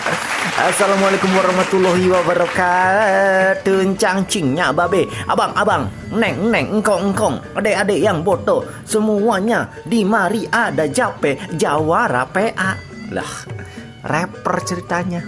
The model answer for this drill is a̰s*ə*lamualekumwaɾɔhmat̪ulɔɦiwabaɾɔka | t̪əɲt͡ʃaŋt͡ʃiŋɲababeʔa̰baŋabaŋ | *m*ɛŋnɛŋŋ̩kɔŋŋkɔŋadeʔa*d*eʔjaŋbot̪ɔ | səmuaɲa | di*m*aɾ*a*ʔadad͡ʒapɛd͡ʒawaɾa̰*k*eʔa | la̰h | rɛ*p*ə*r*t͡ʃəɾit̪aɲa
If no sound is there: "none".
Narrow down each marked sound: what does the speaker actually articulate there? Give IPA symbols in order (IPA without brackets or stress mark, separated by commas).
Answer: a, n, d, m, i, p, p, r